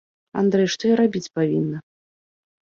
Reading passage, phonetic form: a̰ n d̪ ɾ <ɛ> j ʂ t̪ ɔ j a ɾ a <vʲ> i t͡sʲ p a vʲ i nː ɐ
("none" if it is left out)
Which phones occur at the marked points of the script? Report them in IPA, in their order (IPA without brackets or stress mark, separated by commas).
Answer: ɛ, bʲ